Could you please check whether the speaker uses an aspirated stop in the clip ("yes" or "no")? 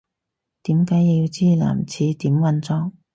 yes